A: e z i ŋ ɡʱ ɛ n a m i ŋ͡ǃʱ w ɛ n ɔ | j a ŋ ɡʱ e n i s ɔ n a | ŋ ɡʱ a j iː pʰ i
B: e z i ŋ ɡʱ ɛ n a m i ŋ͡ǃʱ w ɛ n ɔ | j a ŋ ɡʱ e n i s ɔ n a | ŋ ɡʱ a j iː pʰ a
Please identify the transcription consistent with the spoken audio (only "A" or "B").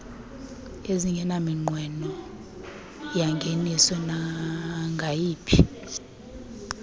A